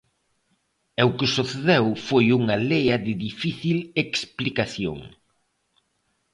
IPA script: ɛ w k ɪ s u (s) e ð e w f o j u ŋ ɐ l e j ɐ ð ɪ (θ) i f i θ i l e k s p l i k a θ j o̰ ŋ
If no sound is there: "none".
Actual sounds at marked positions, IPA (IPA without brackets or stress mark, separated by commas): θ, ð